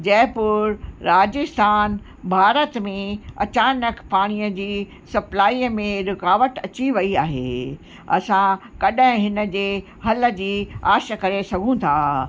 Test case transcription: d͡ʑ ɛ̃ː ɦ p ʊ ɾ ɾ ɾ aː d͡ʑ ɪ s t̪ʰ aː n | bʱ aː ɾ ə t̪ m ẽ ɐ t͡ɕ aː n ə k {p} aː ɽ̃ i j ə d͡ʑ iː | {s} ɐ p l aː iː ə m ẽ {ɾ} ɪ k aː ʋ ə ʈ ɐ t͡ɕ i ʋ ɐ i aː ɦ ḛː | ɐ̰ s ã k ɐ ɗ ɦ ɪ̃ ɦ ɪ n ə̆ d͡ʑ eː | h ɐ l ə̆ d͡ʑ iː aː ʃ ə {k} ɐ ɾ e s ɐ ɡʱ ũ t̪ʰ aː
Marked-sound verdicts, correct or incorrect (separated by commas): correct, correct, correct, correct